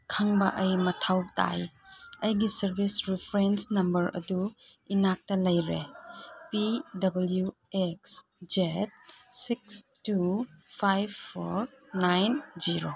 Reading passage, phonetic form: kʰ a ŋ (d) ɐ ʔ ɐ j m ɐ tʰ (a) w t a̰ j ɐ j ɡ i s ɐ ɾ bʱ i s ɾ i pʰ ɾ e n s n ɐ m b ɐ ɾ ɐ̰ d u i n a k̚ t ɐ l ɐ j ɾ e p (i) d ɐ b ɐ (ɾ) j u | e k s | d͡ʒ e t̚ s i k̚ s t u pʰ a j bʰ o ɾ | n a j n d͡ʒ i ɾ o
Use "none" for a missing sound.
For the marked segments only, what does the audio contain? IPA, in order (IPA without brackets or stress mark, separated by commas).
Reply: b, a, i, l